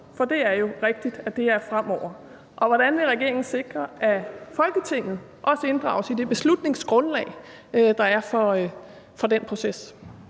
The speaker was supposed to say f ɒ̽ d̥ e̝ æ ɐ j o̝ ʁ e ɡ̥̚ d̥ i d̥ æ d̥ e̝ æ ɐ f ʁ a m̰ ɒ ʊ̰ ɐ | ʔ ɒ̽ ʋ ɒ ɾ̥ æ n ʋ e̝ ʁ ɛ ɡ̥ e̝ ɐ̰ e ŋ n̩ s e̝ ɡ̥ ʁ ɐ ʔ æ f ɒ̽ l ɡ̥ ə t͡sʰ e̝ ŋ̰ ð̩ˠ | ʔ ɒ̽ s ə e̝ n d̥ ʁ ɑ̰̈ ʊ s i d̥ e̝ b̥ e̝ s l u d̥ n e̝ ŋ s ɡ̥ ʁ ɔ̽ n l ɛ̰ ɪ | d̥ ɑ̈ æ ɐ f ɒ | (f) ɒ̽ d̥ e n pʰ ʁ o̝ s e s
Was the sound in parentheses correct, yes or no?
yes